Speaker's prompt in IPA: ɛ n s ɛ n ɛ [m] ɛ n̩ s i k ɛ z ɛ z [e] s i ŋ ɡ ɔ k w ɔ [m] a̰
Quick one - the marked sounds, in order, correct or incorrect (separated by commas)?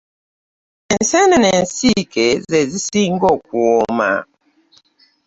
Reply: incorrect, incorrect, correct